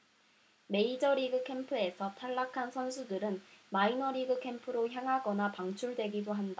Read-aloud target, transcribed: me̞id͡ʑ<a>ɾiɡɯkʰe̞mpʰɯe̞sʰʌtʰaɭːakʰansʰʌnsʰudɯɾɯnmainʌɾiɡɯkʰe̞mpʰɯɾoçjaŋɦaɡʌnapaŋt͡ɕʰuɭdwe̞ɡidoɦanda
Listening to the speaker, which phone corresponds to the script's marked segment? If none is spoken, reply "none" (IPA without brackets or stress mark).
ʌ